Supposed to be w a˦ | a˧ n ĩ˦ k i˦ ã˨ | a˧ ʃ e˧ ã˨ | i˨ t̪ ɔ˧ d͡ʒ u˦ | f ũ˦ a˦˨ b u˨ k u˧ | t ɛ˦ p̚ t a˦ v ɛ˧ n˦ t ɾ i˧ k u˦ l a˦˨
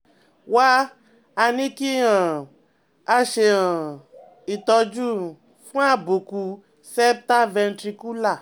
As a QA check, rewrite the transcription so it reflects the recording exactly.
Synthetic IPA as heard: w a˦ | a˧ n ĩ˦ k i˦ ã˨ | a˧ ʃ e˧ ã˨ | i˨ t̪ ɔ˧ d͡ʒ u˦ | f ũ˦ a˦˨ b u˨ k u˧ | s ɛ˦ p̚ t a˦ v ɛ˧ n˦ t ɾ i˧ k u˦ l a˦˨